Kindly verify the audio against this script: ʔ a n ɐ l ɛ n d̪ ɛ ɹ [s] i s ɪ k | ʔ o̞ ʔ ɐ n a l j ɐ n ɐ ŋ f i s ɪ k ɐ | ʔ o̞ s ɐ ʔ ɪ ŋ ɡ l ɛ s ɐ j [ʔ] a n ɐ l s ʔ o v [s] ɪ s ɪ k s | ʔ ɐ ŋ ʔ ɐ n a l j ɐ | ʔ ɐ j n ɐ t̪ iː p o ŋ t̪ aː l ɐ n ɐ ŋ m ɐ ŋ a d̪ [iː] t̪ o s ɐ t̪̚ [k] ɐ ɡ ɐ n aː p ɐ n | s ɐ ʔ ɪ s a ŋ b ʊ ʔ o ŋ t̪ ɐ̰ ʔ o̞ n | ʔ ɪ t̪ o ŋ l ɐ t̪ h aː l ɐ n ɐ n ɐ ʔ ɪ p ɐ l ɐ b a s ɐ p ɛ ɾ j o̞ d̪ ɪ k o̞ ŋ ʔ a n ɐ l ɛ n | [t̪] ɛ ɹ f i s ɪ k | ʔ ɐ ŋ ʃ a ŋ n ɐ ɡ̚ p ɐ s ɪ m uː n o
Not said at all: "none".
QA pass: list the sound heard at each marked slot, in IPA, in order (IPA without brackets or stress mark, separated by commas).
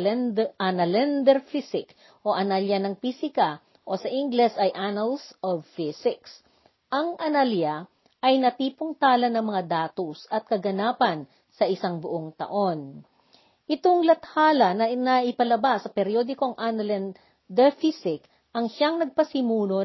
f, ʔ, f, aː, k, d̪